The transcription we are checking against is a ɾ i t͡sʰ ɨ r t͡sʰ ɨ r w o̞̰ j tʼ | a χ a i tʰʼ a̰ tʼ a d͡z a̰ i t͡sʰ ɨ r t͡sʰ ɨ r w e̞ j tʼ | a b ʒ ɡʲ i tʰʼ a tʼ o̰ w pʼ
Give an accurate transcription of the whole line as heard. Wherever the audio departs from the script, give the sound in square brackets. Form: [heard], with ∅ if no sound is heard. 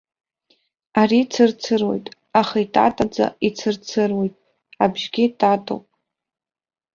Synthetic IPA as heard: a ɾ i t͡sʰ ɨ r t͡sʰ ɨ r w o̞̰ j tʼ | a χ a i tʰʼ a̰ tʼ a d͡z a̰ i t͡sʰ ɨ r t͡sʰ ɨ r w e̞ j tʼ | a b ʒ ɡʲ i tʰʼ a tʼ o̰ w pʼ

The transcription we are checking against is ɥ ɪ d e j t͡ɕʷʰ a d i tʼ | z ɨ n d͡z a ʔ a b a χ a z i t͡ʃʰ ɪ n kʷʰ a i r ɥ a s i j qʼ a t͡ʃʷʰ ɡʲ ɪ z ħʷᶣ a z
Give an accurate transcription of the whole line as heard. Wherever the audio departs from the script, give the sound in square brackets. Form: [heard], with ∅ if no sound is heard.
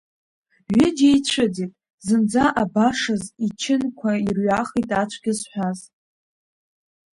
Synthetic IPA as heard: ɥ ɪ [d͡ʒ] e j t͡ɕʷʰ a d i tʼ | z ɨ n d͡z a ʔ a b a [ʂ] a z i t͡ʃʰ ɪ n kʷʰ a i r ɥ a [χ] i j [tʼ] a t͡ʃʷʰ ɡʲ ɪ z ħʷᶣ a z

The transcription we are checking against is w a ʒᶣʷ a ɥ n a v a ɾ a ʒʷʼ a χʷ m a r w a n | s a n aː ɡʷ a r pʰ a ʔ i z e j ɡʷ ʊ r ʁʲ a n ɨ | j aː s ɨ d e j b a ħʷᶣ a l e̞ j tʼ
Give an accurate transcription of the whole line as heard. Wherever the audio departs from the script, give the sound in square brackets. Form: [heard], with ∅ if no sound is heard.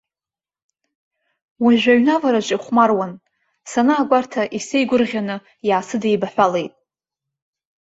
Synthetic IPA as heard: w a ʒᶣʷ a ɥ n a v a ɾ a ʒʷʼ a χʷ m a r w a n | s a n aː ɡʷ a r [tʰ] a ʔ i [s] e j ɡʷ ʊ r ʁʲ a n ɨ | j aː s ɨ d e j b a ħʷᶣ a l e̞ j tʼ

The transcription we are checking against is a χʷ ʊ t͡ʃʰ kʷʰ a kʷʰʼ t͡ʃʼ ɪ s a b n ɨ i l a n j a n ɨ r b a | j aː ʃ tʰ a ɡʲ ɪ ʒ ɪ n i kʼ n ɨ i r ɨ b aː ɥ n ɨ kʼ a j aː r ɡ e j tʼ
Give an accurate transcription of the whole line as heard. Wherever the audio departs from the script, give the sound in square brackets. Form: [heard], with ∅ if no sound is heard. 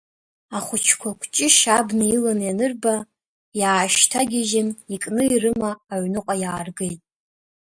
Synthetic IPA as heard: a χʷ ʊ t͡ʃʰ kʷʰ a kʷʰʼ t͡ʃʼ ɪ [ʃ] a b n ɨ i l a n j a n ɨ r b a | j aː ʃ tʰ a ɡʲ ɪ ʒ ɪ n i kʼ n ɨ i r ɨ [m] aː ɥ n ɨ [qʼ] a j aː r ɡ e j tʼ

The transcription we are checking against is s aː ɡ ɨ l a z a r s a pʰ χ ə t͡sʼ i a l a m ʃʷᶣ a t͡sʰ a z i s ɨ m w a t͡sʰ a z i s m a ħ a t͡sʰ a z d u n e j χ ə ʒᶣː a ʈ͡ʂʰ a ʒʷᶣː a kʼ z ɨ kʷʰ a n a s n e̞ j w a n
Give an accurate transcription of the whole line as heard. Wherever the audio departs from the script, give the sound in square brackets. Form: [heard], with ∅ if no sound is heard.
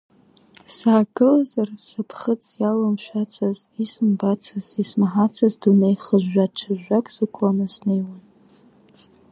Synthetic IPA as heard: s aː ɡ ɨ l a z a r s a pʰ χ ə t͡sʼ [j] a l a m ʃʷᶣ a t͡sʰ a z i s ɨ m [b] a t͡sʰ a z i s m a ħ a t͡sʰ a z d u n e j χ ə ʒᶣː a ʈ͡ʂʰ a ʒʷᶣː a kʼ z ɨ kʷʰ a n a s n e̞ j w a n

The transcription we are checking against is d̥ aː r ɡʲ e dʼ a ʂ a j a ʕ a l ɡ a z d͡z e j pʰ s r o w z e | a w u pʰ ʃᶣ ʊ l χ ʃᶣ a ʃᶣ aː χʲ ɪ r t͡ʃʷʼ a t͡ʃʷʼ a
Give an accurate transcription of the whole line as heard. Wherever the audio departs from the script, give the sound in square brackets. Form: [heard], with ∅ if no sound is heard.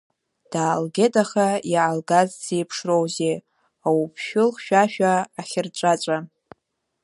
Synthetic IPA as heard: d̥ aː [l] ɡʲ e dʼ a [χ] a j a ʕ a l ɡ a z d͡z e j pʰ [ʂ] r o w z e | a w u pʰ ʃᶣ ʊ l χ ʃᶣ a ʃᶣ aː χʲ ɪ r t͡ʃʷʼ a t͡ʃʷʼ a

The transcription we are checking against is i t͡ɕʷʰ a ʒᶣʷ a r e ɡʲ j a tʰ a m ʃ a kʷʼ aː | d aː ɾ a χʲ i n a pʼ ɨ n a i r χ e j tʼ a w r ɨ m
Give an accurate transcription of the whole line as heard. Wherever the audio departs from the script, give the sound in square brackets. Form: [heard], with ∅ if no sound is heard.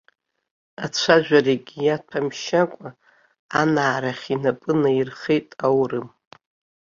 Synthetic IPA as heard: [a] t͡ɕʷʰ a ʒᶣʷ a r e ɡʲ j a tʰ a m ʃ a kʷʼ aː | [n] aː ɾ a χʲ i n a pʼ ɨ n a i r χ e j tʼ a w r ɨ m

